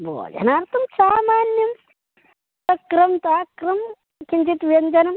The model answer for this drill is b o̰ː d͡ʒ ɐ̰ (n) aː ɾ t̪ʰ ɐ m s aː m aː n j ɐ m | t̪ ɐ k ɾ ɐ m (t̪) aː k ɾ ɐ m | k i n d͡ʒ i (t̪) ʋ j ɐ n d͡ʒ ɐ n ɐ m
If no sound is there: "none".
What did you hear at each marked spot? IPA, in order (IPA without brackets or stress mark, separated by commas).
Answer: n, t̪, t̪